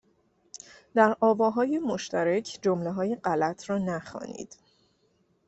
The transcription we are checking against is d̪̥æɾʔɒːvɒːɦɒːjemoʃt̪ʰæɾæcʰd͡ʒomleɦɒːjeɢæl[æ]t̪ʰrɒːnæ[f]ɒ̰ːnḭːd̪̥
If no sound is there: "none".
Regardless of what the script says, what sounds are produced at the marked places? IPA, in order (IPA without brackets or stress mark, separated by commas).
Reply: æ, x